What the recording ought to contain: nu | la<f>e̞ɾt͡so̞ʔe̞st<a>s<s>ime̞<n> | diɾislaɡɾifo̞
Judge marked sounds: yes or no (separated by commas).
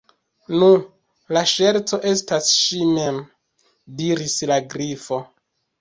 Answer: no, yes, no, no